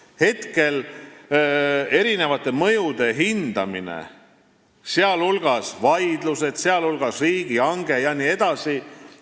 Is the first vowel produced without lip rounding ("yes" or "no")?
yes